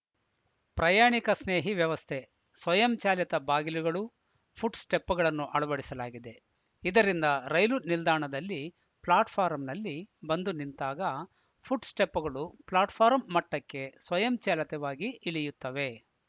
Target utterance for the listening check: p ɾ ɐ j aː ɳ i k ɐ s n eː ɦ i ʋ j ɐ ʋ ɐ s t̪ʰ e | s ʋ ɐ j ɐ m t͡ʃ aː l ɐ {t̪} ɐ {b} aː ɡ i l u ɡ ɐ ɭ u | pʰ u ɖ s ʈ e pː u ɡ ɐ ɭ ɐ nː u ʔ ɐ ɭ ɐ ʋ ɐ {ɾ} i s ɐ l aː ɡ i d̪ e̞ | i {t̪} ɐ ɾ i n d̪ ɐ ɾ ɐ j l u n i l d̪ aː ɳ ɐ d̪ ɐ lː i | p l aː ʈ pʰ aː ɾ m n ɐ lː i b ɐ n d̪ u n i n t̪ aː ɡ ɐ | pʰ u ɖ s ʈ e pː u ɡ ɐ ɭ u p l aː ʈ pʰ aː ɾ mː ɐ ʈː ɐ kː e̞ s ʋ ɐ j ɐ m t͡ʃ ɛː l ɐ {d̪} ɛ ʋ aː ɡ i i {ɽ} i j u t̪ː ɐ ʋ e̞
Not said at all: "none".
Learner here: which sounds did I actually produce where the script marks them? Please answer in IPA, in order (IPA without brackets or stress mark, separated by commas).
t̪, b, ɽ, d̪, t̪, ɭ